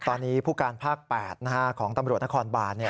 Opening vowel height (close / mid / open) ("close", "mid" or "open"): mid